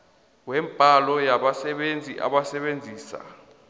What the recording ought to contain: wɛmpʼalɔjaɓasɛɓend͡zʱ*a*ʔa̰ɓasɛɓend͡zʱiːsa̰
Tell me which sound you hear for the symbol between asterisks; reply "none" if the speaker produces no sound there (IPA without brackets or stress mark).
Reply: i